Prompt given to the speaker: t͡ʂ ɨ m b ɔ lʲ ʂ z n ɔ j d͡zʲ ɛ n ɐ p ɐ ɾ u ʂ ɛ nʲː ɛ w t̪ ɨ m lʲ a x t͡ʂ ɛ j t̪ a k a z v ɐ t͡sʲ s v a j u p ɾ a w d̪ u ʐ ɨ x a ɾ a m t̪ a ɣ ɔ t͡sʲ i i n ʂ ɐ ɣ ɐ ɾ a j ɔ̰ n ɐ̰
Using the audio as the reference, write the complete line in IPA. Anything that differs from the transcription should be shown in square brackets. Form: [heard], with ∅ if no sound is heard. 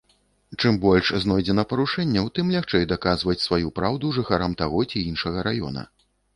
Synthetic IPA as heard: t͡ʂ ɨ m b ɔ lʲ ʂ z n ɔ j d͡zʲ ɛ n ɐ p ɐ ɾ u ʂ ɛ nʲː ɛ w t̪ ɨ m lʲ a x t͡ʂ ɛ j [d̪] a k a z v ɐ t͡sʲ s v a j u p ɾ a w d̪ u ʐ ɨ x a ɾ a m t̪ a ɣ ɔ t͡sʲ i i n ʂ ɐ ɣ ɐ ɾ a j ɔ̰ n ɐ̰